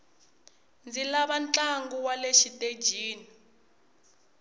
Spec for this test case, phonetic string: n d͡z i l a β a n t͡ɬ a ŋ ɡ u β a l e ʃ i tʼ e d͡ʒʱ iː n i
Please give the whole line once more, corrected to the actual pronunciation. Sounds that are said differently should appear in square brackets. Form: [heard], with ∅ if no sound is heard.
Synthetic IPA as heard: n d͡z i l a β a n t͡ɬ a ŋ ɡ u [w] a l e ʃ i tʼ e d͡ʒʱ iː n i